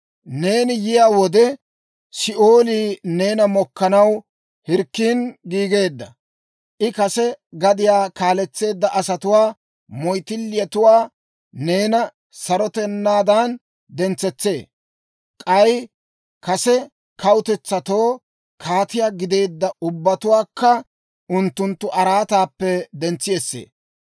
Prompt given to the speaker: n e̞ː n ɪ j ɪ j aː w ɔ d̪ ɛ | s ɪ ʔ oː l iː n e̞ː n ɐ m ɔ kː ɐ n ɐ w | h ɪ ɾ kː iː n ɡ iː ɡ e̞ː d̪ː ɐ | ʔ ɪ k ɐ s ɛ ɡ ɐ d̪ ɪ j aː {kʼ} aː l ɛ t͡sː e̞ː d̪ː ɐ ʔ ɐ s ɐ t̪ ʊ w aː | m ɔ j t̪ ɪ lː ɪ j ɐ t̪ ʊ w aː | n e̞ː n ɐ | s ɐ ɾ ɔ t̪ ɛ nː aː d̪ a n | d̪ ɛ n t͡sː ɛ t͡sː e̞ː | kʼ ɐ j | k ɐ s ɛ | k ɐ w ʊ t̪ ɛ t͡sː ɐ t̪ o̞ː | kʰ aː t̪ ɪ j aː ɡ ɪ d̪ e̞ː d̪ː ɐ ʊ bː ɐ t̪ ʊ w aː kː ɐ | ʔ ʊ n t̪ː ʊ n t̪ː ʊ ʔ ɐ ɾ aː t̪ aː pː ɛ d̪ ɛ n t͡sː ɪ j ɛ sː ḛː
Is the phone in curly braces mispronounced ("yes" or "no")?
yes